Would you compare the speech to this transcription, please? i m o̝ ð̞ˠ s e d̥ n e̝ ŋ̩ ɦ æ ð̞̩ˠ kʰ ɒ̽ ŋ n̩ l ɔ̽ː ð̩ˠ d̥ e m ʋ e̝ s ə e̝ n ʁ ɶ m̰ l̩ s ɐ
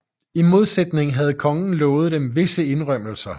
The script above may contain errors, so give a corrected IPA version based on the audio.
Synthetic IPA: i m o̝ ð̞ˠ s e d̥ n e̝ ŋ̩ ɦ æ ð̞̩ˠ kʰ ɒ̽ ŋ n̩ l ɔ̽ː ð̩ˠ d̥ e m ʋ e̝ s ə e̝ n ʁ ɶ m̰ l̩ s ɐ

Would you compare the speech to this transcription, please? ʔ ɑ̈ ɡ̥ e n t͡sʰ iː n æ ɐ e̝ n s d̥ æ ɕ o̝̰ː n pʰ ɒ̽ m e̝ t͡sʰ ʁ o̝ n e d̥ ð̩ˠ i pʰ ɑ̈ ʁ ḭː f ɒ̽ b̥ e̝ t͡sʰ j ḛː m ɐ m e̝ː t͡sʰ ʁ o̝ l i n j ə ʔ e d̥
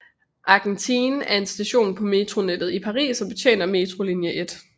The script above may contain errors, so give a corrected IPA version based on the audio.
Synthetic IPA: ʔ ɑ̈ ɡ̥ e n t͡sʰ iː n æ ɐ e̝ n s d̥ æ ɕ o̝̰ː n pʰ ɒ̽ m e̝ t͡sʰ ʁ o̝ n e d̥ ð̩ˠ i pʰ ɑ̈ ʁ ḭː s ɒ̽ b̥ e̝ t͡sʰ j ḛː n ɐ m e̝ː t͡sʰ ʁ o̝ l i n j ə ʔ e d̥

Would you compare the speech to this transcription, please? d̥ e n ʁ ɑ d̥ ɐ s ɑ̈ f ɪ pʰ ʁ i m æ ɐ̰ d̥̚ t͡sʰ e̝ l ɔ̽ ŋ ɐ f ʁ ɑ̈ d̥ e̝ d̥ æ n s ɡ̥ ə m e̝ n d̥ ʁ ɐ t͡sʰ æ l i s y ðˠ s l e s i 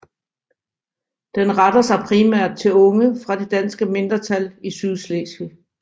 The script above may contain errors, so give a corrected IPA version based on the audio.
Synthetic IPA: d̥ e n ʁ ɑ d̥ ɐ s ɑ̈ ɪ pʰ ʁ i m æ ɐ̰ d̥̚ t͡sʰ e̝ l ɔ̽ ŋ ə f ʁ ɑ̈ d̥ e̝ d̥ æ n s ɡ̥ ə m e̝ n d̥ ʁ ɐ t͡sʰ æ l i s y ðˠ s l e s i

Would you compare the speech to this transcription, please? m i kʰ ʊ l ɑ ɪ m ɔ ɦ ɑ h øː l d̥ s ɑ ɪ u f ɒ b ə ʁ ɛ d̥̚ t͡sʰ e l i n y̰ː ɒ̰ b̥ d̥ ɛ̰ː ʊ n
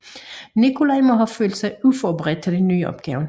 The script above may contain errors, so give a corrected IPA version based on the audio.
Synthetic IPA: n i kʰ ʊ l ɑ ɪ m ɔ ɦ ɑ f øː l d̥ s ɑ ɪ u f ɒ b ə ʁ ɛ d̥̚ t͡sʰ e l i n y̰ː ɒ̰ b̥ ɡ̥ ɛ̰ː ʊ n

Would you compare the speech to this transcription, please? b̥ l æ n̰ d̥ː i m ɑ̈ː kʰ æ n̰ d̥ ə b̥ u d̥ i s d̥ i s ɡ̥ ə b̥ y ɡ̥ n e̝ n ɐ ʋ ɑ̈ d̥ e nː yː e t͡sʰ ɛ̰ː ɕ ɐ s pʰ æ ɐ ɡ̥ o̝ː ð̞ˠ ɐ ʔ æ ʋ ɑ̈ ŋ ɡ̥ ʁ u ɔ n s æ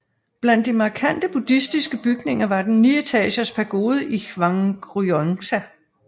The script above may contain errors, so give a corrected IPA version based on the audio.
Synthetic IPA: b̥ l æ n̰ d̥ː i m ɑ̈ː kʰ æ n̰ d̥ ə b̥ u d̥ i s d̥ i s ɡ̥ ə b̥ y ɡ̥ n e̝ ŋ ɐ ʋ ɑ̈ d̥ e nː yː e t͡sʰ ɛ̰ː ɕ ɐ s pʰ æ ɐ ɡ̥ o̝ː ð̞ˠ ə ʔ i ʋ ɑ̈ ŋ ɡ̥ ʁ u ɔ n s æ

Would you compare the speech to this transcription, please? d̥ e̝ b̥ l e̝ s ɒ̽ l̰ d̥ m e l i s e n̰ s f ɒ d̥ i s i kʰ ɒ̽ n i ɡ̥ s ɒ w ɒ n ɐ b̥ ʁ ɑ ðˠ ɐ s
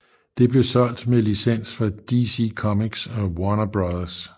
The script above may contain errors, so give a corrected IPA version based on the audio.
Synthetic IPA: d̥ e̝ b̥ l e̝ s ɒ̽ l̰ d̥ m e l i s e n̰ s f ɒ d̥ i s i kʰ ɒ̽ m i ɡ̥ s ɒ w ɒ n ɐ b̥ ʁ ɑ ðˠ ɐ s

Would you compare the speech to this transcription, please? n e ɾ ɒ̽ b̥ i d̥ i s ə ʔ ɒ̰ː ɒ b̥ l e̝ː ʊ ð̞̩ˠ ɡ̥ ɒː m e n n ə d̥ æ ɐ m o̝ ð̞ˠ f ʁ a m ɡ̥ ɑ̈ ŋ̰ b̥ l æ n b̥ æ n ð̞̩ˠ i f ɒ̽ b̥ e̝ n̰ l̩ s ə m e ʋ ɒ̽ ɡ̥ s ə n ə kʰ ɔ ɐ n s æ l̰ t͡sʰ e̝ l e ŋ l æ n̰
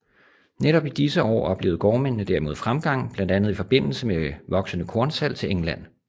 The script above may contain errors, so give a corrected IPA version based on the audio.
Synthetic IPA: n e ɾ ɒ̽ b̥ i d̥ i s ə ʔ ɒ̰ː ɒ b̥ l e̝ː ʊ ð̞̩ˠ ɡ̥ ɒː m e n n ə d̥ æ ɐ m o̝ ð̞ˠ f ʁ a m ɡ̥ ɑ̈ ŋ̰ b̥ l æ n d̥ æ n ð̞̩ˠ i f ɒ̽ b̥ e̝ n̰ l̩ s ə m e ʋ ɒ̽ ɡ̥ s ə n ə kʰ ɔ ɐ n s æ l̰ t͡sʰ e̝ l e ŋ l æ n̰

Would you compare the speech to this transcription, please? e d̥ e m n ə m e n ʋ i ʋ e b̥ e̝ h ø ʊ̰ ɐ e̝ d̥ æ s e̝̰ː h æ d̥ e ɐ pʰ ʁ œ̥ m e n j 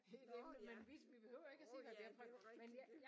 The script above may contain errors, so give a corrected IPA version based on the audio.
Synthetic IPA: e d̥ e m n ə m e n ʋ i ʋ i b̥ e̝ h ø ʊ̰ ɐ e̝ ɡ̥ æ s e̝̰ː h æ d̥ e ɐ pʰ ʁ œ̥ m e n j

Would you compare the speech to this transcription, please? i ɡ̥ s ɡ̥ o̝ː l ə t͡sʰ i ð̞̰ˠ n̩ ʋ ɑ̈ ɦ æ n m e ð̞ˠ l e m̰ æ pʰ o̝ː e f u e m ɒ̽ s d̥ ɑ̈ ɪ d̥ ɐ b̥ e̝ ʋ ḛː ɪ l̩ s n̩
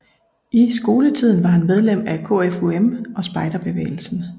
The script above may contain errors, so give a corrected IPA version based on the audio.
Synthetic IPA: i s ɡ̥ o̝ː l ə t͡sʰ i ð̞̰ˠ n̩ ʋ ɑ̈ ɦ æ n m e ð̞ˠ l e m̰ æ kʰ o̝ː e f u e m ɒ̽ s b̥ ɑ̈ ɪ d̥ ɐ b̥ e̝ ʋ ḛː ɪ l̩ s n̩

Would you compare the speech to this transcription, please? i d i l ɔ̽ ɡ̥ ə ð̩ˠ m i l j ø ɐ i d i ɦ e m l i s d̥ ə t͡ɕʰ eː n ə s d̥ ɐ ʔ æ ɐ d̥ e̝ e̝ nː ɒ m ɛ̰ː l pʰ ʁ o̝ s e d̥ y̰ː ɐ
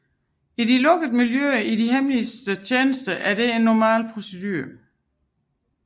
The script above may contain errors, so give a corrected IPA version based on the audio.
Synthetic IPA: i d i l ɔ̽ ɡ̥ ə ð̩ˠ m i l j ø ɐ i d i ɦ e m l i s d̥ ə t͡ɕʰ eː n ə s d̥ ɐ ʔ æ ɐ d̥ e̝ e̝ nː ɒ m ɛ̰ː l pʰ ʁ o̝ s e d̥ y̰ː ɐ

